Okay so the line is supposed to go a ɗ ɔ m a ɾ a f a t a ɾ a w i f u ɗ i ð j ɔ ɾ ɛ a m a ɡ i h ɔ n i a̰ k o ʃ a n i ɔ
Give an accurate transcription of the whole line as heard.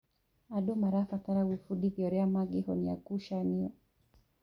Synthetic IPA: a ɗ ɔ m a ɾ a f a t a ɾ a w i f u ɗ i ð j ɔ ɾ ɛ a m a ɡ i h ɔ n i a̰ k u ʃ a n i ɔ